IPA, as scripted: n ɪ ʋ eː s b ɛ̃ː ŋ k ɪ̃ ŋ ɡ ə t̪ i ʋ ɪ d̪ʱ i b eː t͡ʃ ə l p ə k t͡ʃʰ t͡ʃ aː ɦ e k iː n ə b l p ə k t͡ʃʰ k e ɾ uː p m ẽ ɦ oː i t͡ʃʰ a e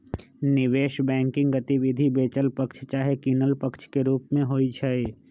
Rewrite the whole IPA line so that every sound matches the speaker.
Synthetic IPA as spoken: n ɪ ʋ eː ʃ b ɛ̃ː ŋ k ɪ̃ ŋ ɡ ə t̪ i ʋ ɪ d̪ʱ i b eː t͡ʃ ə l p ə k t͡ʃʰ t͡ʃ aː ɦ e k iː n ə l p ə k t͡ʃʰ k e ɾ uː p m ẽ ɦ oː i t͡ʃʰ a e